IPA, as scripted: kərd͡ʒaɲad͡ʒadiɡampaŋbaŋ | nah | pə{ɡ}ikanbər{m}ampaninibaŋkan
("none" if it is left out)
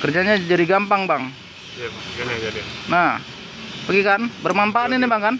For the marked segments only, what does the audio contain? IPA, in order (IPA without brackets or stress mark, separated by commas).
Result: ɡ, m